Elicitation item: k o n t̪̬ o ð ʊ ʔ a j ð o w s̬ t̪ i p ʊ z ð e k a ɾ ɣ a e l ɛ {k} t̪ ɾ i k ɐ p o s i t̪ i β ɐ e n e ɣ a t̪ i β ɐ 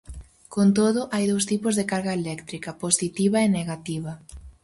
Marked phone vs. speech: correct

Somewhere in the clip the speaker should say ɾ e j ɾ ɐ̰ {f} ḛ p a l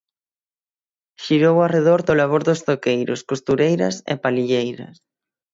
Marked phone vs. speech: incorrect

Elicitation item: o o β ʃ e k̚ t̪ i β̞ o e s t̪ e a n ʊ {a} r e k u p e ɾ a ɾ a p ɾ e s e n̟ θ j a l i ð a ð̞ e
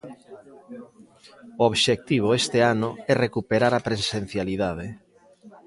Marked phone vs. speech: incorrect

